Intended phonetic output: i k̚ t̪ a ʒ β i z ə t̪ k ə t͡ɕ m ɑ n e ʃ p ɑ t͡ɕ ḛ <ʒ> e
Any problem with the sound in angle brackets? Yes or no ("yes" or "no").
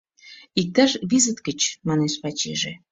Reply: no